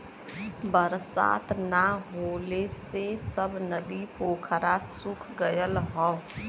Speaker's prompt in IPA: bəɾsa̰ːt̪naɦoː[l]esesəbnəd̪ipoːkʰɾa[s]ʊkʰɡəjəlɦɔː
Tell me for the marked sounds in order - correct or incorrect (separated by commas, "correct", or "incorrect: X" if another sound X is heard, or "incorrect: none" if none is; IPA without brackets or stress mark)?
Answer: correct, correct